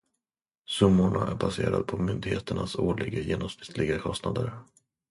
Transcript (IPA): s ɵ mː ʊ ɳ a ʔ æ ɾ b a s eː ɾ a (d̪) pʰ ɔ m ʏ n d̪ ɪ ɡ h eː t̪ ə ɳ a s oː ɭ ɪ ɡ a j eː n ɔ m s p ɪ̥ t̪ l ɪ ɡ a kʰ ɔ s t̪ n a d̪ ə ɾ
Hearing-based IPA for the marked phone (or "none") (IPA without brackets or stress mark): d̪